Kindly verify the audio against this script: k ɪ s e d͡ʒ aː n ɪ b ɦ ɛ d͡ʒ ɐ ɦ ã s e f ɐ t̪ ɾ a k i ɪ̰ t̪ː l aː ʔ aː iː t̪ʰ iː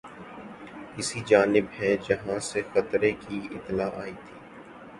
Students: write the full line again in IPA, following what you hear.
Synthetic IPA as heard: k ɪ s i d͡ʒ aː n ɪ b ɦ ɛ d͡ʒ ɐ ɦ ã s e x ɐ t̪ ɾ e k i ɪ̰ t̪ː l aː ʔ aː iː t̪ʰ iː